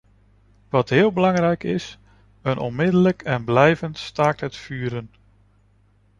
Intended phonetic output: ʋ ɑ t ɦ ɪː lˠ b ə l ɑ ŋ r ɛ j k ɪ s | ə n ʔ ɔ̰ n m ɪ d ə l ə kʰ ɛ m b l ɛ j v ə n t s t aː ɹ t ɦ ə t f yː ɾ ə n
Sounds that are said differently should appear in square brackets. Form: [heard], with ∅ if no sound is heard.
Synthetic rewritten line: ʋ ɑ t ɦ ɪː lˠ b ə l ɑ ŋ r ɛ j k ɪ s | ə n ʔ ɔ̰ n m ɪ d ə l ə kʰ ɛ [n] b l ɛ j v ə n t s t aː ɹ t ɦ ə t f yː ɾ ə n